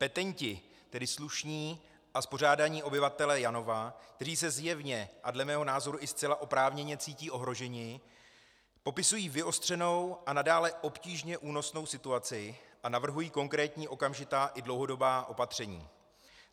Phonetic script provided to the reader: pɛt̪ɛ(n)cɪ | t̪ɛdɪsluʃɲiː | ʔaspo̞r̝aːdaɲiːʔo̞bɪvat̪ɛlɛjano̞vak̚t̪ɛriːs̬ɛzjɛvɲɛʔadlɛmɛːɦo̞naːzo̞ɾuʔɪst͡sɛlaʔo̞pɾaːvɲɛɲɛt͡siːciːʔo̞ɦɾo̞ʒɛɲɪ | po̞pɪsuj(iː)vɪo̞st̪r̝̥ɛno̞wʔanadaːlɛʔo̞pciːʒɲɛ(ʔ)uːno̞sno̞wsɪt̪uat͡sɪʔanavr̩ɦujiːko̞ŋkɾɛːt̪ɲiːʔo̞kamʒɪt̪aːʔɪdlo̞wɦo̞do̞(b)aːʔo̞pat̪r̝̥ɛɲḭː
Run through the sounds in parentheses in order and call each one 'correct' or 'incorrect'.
incorrect, correct, correct, correct

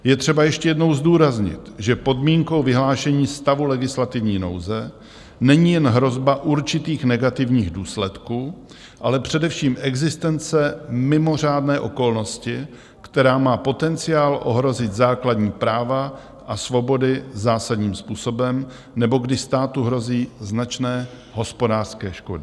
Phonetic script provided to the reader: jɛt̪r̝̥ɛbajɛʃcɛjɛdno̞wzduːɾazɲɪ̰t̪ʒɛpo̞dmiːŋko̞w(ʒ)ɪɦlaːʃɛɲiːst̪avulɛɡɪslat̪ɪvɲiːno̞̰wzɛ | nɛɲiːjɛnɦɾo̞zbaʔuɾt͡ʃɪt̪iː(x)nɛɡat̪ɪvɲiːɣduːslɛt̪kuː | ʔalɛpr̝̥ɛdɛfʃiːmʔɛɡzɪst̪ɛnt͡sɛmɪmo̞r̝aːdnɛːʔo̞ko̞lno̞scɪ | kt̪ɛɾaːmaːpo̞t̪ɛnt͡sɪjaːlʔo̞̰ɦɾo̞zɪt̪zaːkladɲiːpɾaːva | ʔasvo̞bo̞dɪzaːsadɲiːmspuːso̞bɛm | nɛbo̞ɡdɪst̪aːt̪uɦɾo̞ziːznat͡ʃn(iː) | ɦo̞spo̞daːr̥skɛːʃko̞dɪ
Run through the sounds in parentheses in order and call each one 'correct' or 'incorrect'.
incorrect, correct, incorrect

